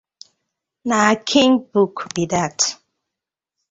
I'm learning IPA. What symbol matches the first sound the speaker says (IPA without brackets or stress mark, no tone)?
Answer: n